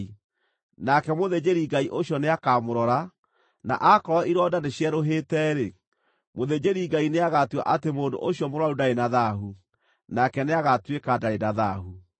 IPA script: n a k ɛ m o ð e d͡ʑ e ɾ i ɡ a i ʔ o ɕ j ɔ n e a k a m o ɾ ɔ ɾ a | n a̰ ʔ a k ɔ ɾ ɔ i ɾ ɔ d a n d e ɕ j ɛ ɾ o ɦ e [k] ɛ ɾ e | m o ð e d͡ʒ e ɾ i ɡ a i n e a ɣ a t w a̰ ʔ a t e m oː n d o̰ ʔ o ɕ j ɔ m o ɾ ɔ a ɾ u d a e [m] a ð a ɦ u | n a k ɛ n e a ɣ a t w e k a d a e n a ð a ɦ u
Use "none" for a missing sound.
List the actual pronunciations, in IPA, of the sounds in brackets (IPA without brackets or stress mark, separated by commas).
t, n